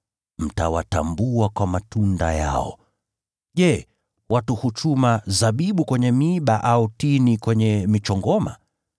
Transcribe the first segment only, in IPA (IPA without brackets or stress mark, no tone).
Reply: m̩